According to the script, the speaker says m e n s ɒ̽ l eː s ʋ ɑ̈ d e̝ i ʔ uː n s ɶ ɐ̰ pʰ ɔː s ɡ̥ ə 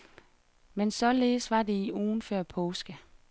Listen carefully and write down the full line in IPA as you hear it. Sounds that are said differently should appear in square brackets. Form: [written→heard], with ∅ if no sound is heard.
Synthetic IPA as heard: m e n s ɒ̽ l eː s ʋ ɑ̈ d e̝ i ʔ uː n [s→f] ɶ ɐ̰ pʰ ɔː s ɡ̥ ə